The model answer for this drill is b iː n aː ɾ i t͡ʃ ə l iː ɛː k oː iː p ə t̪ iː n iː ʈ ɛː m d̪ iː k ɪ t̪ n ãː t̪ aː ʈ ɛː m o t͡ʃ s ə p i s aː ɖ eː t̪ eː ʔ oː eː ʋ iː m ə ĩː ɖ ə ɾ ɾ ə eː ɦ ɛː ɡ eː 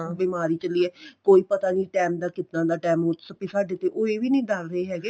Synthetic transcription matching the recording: b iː m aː ɾ iː t͡ʃ ə l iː ɛː k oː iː p ə t̪ aː n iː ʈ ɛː m d̪ aː k ɪ t̪ n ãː d̪ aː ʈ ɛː m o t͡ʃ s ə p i s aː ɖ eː t̪ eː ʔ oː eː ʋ iː n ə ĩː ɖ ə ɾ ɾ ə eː ɦ ɛː ɡ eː